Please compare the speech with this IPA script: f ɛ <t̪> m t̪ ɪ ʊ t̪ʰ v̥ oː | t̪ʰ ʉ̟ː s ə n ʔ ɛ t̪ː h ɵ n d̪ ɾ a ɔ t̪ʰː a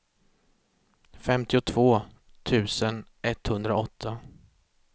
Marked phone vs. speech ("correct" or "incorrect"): incorrect